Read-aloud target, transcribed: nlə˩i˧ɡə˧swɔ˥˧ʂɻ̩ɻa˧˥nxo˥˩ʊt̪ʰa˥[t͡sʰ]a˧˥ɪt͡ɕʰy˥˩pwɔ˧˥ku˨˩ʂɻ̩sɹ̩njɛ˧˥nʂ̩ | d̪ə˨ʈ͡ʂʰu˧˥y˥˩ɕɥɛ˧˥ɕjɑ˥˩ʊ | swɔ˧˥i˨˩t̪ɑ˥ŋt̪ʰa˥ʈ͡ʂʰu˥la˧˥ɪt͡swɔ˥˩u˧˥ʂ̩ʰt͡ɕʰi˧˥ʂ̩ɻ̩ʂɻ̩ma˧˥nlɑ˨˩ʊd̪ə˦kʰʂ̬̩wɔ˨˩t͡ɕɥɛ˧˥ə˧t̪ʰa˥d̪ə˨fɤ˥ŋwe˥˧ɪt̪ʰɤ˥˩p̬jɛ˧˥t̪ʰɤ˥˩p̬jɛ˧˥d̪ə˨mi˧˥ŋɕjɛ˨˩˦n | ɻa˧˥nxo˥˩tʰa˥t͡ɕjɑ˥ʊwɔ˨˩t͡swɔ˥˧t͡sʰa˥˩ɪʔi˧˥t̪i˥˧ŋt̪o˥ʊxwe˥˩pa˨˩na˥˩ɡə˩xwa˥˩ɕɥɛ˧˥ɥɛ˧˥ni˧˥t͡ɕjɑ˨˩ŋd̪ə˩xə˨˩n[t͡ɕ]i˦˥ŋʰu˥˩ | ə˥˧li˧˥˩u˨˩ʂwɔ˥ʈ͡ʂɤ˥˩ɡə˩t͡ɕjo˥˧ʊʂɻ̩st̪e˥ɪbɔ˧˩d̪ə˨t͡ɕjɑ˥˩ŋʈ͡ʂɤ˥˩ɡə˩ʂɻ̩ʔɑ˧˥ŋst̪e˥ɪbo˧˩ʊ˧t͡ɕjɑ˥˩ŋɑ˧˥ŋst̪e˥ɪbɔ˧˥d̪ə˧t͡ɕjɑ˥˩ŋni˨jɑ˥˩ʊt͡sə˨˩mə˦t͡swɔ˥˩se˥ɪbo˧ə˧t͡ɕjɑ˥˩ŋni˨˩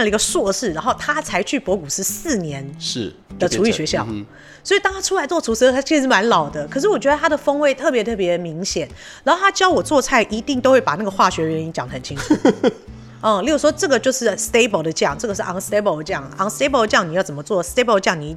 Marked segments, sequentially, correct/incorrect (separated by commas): correct, incorrect